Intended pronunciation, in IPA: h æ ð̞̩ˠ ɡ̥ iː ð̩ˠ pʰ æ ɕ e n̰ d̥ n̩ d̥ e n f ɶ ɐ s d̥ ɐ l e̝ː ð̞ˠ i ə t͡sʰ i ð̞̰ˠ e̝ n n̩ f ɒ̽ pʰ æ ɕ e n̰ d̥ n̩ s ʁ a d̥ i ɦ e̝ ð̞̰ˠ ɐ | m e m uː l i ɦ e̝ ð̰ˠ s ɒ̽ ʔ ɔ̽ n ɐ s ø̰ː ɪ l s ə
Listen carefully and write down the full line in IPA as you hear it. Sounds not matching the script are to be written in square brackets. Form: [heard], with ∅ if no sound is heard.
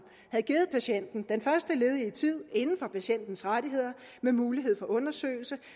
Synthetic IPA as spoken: h æ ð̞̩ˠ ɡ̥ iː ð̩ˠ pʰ æ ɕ e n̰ d̥ n̩ d̥ e n f ɶ ɐ s d̥ [ə] l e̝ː ð̞ˠ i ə t͡sʰ i ð̞̰ˠ e̝ n n̩ f ɒ̽ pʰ æ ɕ e n̰ d̥ n̩ s ʁ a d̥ i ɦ e̝ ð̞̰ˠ ɐ | m e m uː l i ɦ e̝ ð̰ˠ [f] ɒ̽ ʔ ɔ̽ n ɐ s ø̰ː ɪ l s ə